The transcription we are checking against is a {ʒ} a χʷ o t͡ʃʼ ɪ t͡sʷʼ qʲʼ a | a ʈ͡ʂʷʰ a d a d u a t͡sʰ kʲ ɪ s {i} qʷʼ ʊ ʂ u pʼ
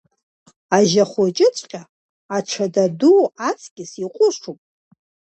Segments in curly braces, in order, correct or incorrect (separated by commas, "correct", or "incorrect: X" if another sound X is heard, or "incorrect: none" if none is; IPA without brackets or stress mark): correct, correct